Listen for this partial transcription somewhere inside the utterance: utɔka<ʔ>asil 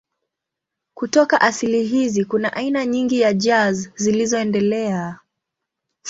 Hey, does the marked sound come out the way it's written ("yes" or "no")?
yes